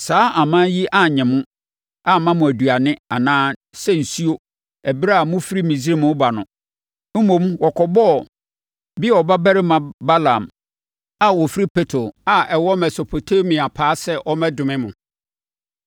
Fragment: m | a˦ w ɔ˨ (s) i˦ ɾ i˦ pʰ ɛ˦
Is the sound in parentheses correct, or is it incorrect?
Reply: incorrect